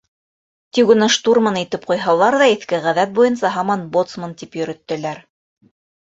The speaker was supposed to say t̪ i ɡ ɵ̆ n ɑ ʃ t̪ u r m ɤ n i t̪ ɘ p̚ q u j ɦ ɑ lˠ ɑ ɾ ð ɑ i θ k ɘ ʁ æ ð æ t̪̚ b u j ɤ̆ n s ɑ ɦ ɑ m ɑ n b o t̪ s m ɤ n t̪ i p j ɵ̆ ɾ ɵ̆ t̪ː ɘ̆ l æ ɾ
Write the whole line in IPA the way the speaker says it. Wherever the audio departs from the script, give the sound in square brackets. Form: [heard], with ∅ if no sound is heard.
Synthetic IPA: t̪ i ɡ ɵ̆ n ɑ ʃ t̪ u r m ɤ n i t̪ ɘ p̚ q u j ɦ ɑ lˠ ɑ ɾ ð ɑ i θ k ɘ ʁ æ ð æ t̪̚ b u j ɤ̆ n s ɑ ɦ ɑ m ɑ n b o t̪ s m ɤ n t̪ i p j ɵ̆ ɾ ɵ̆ t̪ː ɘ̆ l æ ɾ